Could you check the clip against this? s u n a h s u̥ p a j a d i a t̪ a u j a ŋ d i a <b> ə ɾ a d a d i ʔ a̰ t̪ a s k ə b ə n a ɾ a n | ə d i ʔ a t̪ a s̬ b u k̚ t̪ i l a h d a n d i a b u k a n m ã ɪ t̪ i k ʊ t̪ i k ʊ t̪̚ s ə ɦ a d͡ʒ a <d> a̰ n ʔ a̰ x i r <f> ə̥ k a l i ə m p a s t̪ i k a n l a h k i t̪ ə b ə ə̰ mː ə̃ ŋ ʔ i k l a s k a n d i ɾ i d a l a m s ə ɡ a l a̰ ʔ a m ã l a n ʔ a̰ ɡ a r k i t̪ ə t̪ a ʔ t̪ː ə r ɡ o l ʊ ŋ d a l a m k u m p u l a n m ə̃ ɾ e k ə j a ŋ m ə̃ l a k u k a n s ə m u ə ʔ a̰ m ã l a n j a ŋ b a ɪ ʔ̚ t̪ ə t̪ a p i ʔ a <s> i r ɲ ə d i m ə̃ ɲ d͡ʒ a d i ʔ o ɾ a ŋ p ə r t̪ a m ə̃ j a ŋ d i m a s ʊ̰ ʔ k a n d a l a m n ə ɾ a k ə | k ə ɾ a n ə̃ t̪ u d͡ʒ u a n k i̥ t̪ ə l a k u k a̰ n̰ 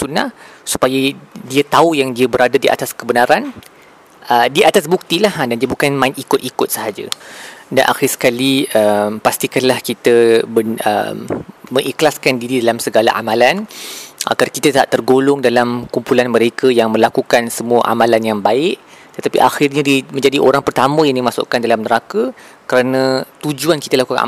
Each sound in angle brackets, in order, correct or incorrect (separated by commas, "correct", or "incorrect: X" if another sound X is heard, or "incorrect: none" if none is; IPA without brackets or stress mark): correct, correct, incorrect: s, incorrect: x